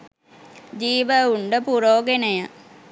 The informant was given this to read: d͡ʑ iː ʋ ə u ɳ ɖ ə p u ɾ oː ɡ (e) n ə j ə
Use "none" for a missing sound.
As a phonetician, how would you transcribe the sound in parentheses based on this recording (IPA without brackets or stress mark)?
e